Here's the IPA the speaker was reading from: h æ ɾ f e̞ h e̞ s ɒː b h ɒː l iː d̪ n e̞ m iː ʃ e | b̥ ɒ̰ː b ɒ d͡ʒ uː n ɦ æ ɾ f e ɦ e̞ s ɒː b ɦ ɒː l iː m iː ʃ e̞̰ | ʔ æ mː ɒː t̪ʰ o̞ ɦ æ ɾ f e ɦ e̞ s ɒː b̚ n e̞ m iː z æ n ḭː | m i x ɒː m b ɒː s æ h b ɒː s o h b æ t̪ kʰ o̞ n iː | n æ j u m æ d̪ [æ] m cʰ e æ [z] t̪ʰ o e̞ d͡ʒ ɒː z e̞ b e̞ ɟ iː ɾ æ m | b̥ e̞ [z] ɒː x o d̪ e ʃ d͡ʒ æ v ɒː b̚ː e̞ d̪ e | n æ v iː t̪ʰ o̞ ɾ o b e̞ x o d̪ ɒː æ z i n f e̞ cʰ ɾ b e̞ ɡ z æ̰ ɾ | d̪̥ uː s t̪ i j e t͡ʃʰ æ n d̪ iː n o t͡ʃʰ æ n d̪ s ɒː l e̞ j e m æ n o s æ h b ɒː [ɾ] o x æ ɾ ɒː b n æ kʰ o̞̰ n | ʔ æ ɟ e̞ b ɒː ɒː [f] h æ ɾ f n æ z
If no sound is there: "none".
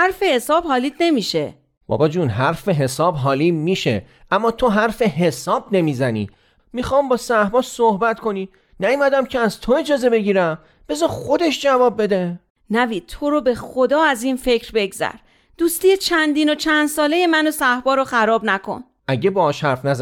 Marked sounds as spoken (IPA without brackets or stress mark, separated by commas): æ, z, z, ɾ, ʃ